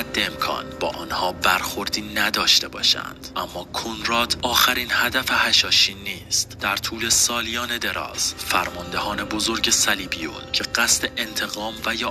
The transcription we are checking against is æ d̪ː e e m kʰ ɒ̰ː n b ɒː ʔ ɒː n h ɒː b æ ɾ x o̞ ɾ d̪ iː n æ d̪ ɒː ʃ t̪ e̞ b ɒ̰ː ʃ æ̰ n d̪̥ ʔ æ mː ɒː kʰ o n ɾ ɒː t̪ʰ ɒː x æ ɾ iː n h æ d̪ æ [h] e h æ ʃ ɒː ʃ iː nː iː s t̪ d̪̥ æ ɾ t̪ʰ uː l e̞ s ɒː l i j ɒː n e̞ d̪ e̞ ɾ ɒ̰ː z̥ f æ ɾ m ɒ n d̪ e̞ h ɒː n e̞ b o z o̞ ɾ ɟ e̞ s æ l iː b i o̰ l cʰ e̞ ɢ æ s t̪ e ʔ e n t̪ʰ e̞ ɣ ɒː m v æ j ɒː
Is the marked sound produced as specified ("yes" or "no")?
no